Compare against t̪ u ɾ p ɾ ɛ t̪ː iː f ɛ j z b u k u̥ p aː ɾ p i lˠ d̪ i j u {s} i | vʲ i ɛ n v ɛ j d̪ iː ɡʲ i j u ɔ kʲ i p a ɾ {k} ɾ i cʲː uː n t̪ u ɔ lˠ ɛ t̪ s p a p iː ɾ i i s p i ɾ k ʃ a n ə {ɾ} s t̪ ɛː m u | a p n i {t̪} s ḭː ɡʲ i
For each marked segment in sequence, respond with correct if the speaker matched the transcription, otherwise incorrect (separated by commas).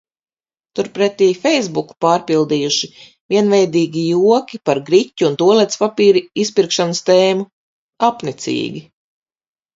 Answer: incorrect, incorrect, incorrect, correct